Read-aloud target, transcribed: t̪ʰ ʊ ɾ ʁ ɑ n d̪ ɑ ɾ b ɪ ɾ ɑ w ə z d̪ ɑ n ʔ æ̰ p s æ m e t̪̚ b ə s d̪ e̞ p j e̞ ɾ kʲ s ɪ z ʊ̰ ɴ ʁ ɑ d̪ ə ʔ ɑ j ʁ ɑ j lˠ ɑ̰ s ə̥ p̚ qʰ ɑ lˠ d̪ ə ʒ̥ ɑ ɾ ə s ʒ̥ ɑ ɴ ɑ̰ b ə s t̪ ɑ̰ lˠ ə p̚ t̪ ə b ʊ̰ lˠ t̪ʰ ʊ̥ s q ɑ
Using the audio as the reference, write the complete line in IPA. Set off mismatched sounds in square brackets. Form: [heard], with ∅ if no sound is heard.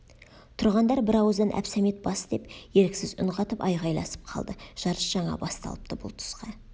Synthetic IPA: t̪ʰ ʊ ɾ ʁ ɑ n d̪ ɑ ɾ b ɪ ɾ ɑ w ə z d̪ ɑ n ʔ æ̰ p s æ m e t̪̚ b [ɑ] s d̪ e̞ p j e̞ ɾ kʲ s ɪ z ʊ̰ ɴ ʁ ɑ [t̪] ə [p] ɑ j ʁ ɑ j lˠ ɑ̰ s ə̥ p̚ qʰ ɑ lˠ d̪ ə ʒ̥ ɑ ɾ ə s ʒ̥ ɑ ɴ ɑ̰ b [ɑ] s t̪ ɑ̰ lˠ ə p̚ t̪ ə b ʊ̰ lˠ t̪ʰ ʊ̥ s q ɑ